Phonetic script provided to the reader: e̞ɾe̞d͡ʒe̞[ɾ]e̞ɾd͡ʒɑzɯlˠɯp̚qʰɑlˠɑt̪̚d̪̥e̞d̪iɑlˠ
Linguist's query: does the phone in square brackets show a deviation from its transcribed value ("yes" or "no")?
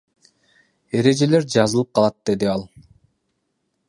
yes